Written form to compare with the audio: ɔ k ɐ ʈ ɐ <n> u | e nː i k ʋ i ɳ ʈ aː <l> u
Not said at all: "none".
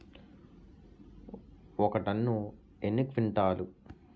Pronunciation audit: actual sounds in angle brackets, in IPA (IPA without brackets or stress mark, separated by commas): nː, l